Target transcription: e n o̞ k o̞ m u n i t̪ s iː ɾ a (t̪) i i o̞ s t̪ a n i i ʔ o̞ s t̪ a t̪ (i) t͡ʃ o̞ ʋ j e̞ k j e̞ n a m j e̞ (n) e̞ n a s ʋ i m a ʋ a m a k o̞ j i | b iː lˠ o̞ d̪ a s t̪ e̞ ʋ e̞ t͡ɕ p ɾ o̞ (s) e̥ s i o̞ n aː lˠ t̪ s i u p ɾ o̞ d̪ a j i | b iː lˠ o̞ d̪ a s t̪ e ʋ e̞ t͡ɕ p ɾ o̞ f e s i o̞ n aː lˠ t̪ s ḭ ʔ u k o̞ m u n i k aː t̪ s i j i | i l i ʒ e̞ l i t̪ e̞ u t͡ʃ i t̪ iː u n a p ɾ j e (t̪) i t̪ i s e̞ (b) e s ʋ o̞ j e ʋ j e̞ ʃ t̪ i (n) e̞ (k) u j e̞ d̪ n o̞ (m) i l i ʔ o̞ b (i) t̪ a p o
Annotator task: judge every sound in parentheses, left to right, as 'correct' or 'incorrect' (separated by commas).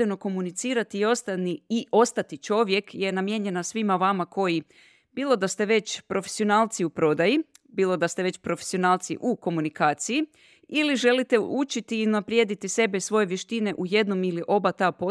correct, correct, incorrect, incorrect, incorrect, correct, correct, incorrect, correct, incorrect